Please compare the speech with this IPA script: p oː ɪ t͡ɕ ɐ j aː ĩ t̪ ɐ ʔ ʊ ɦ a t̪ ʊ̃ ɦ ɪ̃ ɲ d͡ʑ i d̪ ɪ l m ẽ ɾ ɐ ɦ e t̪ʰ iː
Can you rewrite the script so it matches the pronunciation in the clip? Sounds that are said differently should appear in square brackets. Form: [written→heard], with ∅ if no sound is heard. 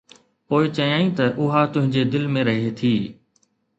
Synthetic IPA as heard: p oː ɪ t͡ɕ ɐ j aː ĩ t̪ ɐ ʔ ʊ ɦ a t̪ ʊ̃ ɦ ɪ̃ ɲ d͡ʑ [i→e] d̪ ɪ l m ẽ ɾ ɐ ɦ e t̪ʰ iː